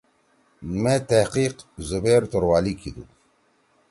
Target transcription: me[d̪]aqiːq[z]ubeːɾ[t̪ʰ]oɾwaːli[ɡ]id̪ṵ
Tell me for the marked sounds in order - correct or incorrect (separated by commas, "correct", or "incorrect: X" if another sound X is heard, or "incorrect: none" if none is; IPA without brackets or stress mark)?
incorrect: t̪, correct, incorrect: t̪, incorrect: k